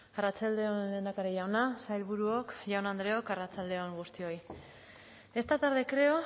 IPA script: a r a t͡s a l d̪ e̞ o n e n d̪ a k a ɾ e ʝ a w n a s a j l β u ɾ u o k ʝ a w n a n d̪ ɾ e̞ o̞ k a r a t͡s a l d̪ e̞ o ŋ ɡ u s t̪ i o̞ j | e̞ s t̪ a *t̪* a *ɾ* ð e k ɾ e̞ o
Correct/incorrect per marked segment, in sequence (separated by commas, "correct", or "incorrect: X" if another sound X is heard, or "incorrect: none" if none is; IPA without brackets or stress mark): correct, correct